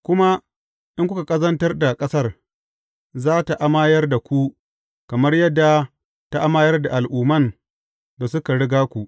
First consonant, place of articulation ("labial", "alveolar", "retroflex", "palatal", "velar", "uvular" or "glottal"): velar